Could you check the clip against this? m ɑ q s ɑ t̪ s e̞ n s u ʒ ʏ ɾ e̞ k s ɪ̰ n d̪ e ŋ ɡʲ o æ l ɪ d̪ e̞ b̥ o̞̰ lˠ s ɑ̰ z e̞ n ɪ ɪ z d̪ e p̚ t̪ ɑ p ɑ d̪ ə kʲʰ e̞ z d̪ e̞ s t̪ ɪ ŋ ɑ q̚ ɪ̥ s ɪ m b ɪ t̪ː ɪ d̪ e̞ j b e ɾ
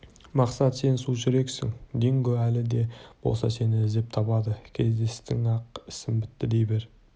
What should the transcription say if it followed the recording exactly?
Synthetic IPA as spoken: m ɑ q s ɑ t̪ s e̞ n s u ʒ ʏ ɾ e̞ k s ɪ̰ ŋ d̪ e ŋ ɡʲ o æ l ɪ d̪ e̞ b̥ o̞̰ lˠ s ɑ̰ s e̞ n ɪ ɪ z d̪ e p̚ t̪ʰ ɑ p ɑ d̪ ə kʲʰ e̞ z d̪ e̞ s t̪ ɪ ŋ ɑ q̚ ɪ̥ s ɪ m b ɪ t̪ː ɪ d̪ e̞ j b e ɾ